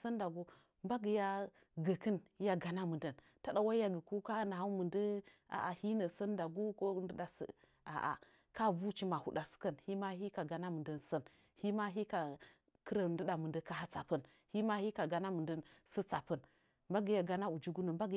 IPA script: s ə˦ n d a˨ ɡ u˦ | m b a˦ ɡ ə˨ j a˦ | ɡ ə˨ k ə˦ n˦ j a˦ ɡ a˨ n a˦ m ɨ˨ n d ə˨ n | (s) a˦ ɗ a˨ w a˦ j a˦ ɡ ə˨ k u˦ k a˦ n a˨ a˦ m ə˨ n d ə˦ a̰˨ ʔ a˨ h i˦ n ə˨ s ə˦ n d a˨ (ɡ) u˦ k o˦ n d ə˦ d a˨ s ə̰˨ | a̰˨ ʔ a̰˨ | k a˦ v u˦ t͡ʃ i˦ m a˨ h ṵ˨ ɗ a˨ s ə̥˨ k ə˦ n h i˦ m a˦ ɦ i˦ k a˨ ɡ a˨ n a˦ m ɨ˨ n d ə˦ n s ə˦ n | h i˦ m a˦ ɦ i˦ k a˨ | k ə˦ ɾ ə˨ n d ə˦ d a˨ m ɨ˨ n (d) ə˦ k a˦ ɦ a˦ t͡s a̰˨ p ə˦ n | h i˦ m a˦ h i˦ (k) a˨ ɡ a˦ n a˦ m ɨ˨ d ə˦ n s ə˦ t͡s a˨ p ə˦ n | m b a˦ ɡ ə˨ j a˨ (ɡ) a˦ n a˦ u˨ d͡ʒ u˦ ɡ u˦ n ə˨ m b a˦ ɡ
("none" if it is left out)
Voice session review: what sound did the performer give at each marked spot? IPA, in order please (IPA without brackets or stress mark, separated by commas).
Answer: t, ɡ, d, k, ɡ